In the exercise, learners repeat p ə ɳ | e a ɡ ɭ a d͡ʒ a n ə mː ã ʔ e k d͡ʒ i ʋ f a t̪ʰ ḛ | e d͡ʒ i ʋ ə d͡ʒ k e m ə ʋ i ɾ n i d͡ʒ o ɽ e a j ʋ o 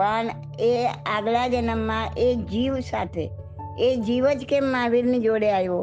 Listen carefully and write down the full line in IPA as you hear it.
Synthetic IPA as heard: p ə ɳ | e a ɡ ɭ a d͡ʒ ə n ə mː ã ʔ e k d͡ʒ i ʋ s a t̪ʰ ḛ | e d͡ʒ i ʋ ə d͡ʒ k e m a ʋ i ɾ n i d͡ʒ o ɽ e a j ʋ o